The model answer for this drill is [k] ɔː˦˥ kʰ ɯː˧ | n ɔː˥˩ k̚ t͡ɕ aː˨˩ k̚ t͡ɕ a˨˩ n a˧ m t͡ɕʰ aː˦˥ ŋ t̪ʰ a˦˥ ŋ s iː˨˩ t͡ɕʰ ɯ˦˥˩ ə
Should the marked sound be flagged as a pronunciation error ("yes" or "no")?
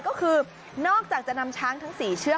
no